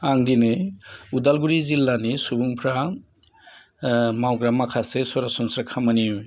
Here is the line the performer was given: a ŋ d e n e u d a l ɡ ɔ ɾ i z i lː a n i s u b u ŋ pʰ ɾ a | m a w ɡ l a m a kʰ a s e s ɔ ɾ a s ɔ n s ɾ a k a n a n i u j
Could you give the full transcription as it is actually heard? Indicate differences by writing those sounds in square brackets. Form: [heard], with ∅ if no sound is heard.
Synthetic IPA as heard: a ŋ d [i] n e u d a l ɡ [u] ɾ i z i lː a n i s u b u ŋ pʰ ɾ a | m a w ɡ [ɾ] a m a kʰ a s e s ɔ ɾ a s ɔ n s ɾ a [kʰ] a [m] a n i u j